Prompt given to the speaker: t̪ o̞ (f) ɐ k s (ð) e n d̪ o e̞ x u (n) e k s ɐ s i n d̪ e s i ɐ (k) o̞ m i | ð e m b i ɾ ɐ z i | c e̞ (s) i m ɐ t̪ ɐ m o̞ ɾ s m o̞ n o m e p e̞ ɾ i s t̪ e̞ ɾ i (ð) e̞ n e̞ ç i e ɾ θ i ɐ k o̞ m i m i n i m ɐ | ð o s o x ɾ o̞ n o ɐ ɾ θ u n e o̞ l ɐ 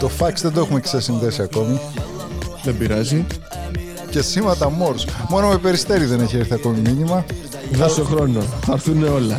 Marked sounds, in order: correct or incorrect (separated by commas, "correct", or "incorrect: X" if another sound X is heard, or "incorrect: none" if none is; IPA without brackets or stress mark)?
correct, correct, incorrect: m, correct, correct, correct